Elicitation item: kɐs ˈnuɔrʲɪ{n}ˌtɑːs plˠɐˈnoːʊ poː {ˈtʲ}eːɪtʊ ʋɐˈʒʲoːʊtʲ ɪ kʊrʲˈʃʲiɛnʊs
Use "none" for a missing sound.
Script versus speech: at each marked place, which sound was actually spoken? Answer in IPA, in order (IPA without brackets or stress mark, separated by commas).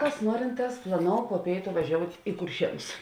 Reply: n, pʲ